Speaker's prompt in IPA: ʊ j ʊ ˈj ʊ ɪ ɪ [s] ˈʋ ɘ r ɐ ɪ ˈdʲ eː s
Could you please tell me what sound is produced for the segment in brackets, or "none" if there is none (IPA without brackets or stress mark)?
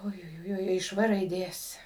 ʃ